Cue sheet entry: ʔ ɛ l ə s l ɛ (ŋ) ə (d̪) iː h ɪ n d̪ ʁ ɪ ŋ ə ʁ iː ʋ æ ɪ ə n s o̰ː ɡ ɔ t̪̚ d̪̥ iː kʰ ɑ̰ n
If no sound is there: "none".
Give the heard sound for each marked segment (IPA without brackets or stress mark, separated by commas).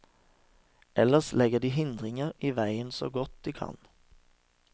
ɡ, d̪